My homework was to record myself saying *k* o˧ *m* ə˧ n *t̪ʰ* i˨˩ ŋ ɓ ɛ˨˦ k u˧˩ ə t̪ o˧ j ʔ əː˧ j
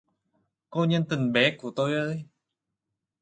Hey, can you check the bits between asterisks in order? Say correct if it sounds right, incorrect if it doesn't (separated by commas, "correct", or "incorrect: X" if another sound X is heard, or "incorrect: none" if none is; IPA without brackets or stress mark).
correct, incorrect: ɲ, incorrect: t̪